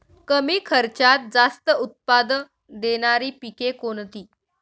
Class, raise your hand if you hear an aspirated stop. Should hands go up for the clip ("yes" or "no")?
yes